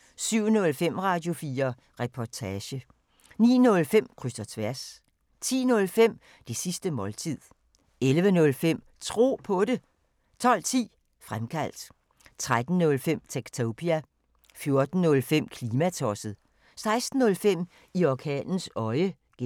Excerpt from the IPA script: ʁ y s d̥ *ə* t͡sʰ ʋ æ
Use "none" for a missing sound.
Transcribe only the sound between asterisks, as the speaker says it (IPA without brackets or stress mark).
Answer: ɐ